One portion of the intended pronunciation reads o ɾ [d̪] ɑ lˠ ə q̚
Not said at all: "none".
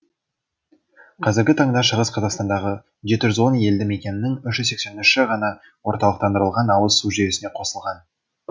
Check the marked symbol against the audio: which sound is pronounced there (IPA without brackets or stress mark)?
t̪